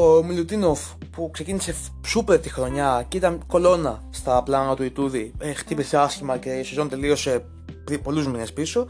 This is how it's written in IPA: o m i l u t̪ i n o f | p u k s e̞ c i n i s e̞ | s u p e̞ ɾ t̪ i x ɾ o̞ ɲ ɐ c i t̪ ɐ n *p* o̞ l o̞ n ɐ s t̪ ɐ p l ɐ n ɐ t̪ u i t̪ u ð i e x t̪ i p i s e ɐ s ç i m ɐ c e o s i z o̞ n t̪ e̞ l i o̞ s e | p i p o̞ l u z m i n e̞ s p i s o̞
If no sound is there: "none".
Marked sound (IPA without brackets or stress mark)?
k